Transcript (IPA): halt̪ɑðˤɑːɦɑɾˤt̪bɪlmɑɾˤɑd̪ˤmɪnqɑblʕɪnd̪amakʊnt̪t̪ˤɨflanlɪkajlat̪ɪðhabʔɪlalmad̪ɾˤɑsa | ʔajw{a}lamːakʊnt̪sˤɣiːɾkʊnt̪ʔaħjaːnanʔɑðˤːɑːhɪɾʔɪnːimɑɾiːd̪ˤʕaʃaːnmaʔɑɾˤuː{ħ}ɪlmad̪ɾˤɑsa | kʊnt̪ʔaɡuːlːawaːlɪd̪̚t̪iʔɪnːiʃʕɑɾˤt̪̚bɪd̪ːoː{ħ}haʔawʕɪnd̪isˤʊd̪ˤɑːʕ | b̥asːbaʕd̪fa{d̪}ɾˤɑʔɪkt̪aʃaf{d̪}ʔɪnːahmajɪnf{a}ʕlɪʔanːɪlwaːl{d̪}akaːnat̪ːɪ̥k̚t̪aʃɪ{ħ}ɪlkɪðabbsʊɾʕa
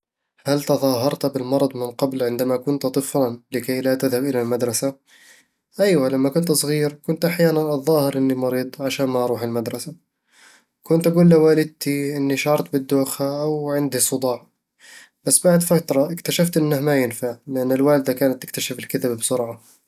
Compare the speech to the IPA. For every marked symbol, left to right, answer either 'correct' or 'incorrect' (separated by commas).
correct, correct, incorrect, incorrect, incorrect, correct, correct, incorrect